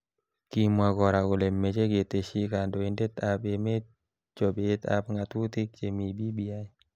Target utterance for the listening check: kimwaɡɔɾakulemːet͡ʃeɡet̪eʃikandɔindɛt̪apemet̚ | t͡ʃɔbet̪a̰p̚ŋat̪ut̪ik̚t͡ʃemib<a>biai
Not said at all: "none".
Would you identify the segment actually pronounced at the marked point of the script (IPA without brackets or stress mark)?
i